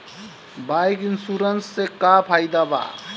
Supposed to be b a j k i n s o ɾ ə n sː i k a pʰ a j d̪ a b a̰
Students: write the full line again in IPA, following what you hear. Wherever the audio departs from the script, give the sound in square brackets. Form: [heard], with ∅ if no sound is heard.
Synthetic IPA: b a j k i n s [u] ɾ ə n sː [e] k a pʰ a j d̪ a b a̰